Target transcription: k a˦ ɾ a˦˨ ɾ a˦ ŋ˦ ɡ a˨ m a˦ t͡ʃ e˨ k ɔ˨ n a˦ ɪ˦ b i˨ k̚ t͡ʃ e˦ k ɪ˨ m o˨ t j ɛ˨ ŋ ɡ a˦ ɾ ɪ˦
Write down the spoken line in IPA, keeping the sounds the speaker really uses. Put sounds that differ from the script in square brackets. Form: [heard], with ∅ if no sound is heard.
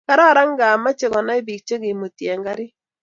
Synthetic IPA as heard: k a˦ ɾ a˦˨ ɾ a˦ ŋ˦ ɡ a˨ m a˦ t͡ʃ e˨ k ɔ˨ n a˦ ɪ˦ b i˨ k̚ t͡ʃ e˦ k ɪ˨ m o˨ t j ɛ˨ ŋ ɡ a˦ ɾ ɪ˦